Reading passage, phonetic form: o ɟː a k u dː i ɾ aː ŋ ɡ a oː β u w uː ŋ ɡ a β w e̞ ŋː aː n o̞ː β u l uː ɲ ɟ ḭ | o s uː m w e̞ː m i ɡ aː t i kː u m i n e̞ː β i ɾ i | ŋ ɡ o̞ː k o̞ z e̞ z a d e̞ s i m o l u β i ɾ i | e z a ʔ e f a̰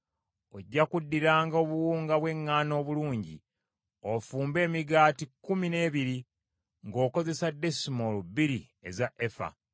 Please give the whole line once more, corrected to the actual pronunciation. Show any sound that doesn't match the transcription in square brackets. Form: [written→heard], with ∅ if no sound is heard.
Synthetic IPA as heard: o ɟː a k u dː i ɾ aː ŋ ɡ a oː β u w uː ŋ ɡ a β w e̞ ŋː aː n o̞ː β u l uː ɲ ɟ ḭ | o [s→f] uː m [w→b] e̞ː m i ɡ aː t i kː u m i n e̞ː β i ɾ i | ŋ ɡ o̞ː k o̞ z e̞ [z→s] a d e̞ s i m o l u [β→b] i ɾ i | e z a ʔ e f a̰